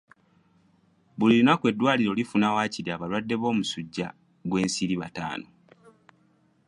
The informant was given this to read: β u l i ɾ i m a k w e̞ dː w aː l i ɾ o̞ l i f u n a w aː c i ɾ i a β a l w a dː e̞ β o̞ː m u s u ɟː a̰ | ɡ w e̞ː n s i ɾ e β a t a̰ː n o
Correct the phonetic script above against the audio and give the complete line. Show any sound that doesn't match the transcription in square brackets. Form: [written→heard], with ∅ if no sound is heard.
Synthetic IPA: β u l i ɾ i [m→n] a k w e̞ dː w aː l i ɾ o̞ l i f u n a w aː c i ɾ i a β a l w a dː e̞ β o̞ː m u s u ɟː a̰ | ɡ w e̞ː n s i ɾ [e→i] β a t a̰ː n o